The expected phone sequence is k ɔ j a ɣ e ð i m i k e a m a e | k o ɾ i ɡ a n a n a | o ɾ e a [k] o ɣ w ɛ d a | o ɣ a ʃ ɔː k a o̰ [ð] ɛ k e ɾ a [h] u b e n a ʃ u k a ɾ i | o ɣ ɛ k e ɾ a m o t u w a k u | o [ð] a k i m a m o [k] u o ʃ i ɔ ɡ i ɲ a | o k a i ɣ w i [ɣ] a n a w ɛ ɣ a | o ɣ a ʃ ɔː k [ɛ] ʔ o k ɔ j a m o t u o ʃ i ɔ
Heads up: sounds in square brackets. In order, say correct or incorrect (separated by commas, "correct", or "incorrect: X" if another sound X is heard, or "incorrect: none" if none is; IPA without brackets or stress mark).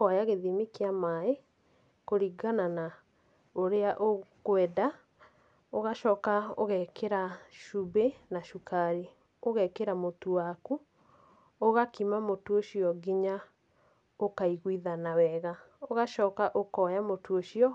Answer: incorrect: ʔ, incorrect: ɣ, incorrect: ʃ, incorrect: ɣ, incorrect: t, incorrect: ð, incorrect: a